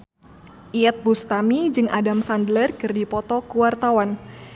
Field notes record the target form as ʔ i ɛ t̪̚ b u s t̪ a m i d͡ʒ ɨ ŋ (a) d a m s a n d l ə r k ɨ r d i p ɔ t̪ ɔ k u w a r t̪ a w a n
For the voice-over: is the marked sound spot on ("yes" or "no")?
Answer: yes